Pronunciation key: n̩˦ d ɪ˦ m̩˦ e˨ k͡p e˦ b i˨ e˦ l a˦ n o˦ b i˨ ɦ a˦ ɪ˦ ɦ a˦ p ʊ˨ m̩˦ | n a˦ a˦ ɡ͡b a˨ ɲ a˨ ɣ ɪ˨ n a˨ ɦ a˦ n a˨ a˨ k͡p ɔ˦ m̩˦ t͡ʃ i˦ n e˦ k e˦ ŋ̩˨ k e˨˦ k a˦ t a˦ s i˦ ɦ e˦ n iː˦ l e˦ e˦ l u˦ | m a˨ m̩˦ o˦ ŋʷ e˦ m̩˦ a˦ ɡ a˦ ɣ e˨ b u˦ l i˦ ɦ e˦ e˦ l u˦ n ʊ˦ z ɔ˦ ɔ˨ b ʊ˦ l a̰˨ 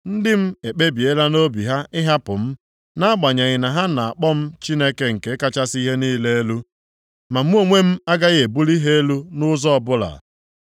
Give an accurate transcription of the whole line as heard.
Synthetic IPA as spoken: n̩˦ d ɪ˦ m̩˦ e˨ k͡p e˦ b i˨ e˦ l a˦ n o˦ b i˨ ɦ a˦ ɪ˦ ɦ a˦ p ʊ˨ m̩˦ | n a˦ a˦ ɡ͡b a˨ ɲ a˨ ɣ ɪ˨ n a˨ ɦ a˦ n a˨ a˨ k͡p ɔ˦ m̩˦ t͡ʃ i˦ n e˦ k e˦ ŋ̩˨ k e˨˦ k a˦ t͡ʃ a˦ s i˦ ɦ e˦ n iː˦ l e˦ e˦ l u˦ | m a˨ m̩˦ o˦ ŋʷ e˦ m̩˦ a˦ ɡ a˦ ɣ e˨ b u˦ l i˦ ɦ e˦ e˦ l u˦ n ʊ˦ z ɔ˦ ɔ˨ b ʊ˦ l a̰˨